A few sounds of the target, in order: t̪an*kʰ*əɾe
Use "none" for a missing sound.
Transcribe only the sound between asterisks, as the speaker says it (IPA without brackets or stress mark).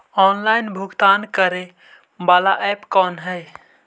k